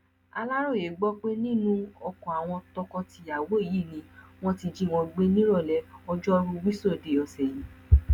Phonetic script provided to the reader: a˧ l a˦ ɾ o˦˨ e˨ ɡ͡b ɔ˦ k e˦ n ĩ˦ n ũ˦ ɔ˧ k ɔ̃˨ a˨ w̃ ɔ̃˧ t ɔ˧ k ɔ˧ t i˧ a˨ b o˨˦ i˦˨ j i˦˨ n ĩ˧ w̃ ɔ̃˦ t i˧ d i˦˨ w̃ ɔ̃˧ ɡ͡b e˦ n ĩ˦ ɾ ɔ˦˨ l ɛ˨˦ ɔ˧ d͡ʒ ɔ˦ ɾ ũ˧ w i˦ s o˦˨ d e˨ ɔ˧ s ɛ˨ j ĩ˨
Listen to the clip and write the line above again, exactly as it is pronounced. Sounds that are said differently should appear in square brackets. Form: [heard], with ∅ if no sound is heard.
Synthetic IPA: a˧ l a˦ ɾ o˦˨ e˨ ɡ͡b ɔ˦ [k͡p] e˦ n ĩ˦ n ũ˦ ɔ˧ k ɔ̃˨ a˨ w̃ ɔ̃˧ t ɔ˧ k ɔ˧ t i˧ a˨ [w] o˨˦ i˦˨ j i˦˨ n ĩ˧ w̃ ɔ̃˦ t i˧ [d͡ʒ] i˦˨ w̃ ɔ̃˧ ɡ͡b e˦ n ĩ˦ ɾ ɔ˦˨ l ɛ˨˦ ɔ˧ d͡ʒ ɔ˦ ɾ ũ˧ w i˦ s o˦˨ d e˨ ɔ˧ s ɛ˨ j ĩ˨